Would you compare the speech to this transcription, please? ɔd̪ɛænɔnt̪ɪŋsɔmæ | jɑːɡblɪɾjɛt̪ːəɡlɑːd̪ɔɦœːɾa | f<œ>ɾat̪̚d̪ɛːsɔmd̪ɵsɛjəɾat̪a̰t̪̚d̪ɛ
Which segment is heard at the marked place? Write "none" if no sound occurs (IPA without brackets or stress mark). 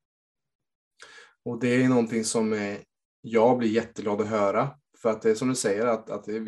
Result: œ